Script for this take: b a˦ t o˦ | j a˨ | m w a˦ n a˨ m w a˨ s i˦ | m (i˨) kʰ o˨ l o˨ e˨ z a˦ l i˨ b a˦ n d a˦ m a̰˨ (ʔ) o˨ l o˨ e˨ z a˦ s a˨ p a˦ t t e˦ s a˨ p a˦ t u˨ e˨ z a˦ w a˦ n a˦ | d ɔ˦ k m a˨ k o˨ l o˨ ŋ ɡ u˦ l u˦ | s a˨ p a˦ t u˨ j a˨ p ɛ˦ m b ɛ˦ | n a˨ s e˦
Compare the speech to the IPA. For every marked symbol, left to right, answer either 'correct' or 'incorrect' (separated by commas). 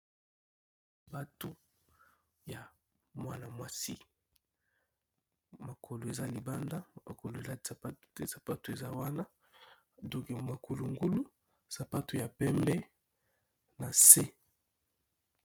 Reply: incorrect, incorrect